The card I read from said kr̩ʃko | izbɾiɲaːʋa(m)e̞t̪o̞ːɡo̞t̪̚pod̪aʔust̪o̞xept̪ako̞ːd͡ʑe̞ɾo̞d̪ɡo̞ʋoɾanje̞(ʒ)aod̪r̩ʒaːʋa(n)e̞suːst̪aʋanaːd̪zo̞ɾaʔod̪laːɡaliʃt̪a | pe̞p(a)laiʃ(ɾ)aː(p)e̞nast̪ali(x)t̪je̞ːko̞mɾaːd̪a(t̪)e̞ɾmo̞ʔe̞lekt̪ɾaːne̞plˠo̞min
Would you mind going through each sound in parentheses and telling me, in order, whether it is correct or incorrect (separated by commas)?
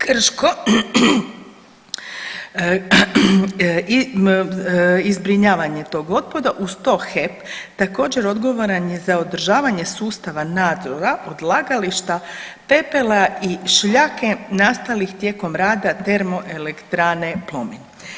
incorrect, incorrect, incorrect, incorrect, incorrect, incorrect, correct, correct